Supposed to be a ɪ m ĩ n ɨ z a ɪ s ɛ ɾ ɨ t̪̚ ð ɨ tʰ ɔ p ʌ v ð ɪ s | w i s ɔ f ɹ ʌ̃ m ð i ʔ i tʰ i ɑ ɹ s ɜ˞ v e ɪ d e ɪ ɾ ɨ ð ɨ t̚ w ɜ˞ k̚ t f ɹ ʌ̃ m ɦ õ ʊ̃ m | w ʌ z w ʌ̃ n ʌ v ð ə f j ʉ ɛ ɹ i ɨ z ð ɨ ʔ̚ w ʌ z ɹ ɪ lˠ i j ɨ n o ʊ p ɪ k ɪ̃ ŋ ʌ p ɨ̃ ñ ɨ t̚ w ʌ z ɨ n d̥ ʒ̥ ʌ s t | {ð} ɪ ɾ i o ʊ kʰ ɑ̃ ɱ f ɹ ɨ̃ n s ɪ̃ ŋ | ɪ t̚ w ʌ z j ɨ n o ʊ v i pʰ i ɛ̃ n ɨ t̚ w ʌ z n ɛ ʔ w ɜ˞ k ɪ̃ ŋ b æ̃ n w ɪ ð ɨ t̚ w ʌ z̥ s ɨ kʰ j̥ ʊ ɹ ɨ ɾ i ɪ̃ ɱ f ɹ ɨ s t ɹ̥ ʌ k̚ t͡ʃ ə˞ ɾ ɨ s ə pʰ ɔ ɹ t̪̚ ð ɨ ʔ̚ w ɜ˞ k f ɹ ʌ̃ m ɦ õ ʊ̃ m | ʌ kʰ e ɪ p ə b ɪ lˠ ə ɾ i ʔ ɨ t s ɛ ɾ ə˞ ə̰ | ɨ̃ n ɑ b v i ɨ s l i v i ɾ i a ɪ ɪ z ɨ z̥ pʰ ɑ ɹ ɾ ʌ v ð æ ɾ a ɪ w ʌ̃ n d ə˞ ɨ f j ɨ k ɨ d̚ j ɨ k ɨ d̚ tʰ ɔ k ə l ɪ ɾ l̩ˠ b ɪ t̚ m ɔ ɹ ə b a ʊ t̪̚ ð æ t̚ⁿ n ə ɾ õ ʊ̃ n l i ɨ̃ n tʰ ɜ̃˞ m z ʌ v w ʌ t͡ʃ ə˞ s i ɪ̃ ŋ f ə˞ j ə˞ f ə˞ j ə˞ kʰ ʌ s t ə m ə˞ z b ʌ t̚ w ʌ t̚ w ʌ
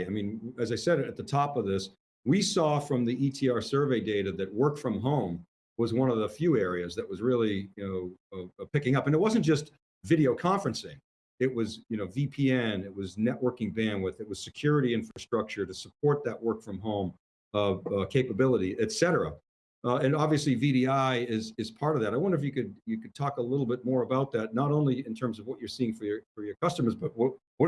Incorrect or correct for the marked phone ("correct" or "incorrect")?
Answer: incorrect